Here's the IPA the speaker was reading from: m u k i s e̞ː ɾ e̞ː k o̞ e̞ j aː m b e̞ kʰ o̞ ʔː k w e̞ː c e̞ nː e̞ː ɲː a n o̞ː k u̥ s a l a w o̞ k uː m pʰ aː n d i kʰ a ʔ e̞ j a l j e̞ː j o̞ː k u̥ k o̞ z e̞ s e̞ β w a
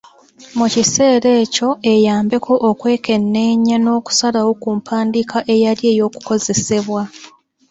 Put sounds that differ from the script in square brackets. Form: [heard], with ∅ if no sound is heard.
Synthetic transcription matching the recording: m u [c] i s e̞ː ɾ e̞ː [c] o̞ e̞ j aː m b e̞ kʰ o̞ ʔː k w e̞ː [k] e̞ nː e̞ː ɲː a n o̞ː k u̥ s a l a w o̞ k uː m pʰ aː n d i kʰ a ʔ e̞ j a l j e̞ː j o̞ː k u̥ k o̞ z e̞ s e̞ β w a